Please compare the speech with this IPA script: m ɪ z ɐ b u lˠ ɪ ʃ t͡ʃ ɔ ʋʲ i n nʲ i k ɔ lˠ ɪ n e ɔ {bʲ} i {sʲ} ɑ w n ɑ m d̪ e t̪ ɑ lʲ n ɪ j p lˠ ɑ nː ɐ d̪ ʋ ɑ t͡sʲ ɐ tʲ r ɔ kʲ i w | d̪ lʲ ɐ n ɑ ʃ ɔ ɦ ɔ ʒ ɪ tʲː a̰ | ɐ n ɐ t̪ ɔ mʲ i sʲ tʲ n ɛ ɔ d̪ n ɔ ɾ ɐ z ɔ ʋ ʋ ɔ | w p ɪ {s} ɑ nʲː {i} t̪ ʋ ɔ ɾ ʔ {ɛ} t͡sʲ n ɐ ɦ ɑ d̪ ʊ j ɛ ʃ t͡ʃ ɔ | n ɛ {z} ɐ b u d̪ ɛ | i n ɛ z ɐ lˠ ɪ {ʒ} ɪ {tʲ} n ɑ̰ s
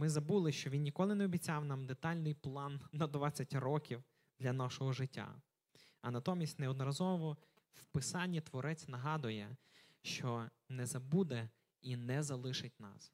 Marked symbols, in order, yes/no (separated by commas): yes, no, yes, yes, yes, yes, no, yes